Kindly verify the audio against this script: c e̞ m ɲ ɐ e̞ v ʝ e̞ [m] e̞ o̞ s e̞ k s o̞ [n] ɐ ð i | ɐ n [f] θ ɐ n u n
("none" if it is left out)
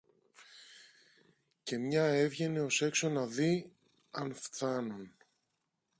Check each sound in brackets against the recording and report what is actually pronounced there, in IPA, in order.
n, n, f

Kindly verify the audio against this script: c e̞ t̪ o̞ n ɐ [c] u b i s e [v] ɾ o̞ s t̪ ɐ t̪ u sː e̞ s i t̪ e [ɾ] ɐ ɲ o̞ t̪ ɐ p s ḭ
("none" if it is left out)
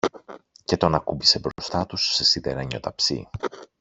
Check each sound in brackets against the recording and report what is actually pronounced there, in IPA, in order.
k, b, ɾ

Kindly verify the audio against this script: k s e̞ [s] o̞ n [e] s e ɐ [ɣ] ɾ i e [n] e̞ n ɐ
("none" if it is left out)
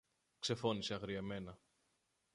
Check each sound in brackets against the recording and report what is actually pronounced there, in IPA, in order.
f, i, ɣ, m

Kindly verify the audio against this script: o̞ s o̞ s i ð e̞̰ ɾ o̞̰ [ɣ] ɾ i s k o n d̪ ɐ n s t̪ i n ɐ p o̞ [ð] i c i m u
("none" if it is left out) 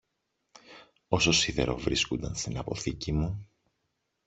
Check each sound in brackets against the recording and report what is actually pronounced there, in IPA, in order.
v, θ

